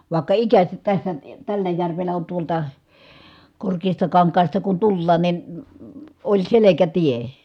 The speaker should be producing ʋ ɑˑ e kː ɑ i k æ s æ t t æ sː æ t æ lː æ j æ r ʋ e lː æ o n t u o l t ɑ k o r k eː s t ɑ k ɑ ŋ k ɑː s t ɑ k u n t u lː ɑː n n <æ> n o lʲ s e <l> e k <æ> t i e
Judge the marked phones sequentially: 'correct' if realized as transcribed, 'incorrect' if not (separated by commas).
incorrect, correct, correct